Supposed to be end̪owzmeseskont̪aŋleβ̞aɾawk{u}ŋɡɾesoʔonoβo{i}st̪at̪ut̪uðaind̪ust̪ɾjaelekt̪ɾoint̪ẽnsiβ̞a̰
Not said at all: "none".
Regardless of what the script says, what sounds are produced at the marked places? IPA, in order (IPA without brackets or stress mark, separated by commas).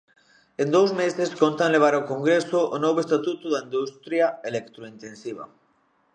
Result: o, e